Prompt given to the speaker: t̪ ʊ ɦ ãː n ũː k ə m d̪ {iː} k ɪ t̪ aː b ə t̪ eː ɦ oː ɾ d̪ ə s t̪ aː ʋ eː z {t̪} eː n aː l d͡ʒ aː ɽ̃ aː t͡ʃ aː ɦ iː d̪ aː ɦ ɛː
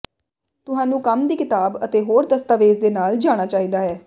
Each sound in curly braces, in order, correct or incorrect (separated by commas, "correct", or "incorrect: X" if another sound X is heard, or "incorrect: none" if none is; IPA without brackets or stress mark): correct, incorrect: d̪